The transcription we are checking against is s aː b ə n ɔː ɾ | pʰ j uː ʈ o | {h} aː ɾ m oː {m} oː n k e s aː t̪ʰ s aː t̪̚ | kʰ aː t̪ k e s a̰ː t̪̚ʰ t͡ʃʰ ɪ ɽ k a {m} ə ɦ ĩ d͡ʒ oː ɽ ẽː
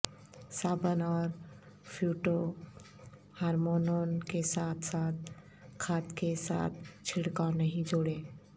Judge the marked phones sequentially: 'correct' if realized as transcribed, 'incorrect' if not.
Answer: correct, incorrect: n, incorrect: n

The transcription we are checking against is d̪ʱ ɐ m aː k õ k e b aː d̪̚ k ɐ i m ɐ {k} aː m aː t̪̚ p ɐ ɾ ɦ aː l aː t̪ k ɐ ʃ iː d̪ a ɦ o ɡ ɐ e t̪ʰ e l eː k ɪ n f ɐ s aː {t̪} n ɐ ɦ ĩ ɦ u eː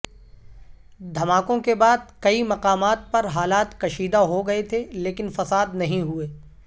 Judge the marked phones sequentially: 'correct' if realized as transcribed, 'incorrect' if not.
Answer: incorrect: q, incorrect: d̪

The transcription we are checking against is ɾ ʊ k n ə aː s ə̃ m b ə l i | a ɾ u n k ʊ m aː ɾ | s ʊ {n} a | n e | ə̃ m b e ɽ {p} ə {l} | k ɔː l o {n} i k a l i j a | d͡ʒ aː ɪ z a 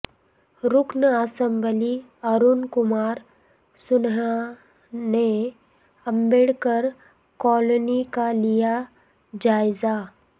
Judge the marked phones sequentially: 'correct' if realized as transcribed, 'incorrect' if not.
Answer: correct, incorrect: k, incorrect: ɾ, correct

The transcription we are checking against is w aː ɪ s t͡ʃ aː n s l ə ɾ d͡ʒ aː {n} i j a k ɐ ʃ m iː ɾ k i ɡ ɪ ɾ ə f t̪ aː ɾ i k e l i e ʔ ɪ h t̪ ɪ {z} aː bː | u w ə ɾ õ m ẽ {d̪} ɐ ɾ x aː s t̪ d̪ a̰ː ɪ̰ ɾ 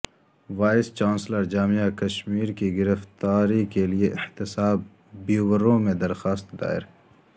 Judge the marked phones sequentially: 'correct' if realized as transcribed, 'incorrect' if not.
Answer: incorrect: m, incorrect: s, correct

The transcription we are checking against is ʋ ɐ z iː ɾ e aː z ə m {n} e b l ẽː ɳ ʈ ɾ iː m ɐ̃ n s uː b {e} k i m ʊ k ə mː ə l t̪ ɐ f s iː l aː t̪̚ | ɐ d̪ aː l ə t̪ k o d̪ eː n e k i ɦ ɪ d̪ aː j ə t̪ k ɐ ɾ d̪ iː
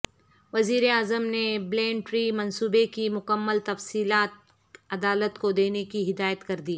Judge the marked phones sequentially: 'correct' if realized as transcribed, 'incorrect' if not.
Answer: correct, correct

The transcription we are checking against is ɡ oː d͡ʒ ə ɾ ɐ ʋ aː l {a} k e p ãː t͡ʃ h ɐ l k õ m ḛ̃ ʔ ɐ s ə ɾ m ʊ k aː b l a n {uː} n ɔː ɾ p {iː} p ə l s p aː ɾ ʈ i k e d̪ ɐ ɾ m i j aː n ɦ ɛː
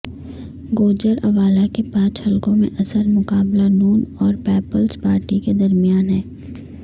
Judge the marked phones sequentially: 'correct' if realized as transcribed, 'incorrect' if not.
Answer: correct, correct, incorrect: ɛː

